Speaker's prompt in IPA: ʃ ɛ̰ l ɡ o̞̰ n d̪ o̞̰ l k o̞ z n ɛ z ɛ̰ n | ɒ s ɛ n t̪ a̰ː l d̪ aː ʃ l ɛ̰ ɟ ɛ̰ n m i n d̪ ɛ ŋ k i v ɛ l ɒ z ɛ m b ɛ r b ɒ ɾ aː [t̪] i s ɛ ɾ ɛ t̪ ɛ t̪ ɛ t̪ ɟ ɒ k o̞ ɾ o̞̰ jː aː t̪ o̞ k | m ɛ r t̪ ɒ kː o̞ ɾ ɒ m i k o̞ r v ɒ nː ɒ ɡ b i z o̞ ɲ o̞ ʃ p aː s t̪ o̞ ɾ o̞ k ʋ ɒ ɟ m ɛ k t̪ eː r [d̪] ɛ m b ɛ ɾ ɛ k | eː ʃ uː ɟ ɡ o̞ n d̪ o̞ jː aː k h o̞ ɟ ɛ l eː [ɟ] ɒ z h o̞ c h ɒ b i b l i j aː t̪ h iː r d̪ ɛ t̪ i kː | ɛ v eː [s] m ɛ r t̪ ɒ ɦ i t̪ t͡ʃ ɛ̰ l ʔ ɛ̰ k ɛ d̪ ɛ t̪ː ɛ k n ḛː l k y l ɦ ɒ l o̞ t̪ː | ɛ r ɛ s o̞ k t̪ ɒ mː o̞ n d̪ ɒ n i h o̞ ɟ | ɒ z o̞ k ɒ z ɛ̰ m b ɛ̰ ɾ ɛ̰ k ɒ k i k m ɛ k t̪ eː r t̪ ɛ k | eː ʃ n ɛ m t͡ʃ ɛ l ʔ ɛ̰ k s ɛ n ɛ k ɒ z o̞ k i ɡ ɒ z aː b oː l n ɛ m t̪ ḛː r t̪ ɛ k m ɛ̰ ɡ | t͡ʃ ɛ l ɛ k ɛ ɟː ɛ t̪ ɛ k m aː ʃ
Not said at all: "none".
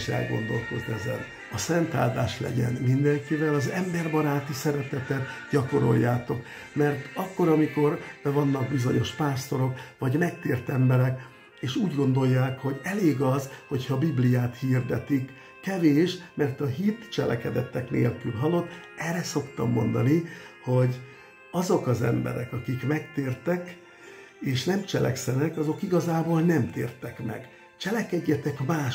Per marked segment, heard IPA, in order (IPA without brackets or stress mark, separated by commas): t̪, t̪, ɡ, ʃ